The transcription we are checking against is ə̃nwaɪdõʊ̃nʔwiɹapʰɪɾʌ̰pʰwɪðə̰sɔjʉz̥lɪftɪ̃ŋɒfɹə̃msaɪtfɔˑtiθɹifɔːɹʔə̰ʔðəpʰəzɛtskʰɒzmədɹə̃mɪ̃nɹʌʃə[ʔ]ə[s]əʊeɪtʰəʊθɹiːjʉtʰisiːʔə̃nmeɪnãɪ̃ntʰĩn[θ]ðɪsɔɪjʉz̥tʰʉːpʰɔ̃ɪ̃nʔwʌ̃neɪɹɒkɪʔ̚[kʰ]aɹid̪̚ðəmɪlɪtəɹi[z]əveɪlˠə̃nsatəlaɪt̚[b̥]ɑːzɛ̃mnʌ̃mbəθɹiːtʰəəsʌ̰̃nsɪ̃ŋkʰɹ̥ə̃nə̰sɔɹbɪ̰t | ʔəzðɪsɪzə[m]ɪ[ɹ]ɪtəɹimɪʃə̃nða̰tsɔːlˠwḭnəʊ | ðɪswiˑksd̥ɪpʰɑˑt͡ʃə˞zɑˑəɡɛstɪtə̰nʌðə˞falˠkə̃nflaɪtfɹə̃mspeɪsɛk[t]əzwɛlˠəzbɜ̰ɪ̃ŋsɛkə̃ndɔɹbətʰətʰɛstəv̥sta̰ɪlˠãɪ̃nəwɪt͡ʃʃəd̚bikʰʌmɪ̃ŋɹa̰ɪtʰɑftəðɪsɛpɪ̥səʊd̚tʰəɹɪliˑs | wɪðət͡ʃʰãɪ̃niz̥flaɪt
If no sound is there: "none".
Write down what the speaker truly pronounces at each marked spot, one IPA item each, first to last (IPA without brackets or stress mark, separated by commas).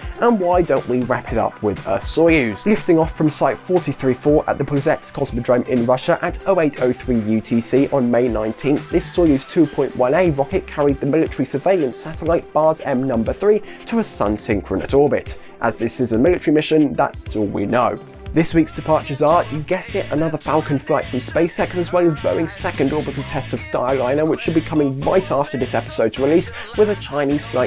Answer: ʔ, t, θ, kʰ, s, b̥, m, l, s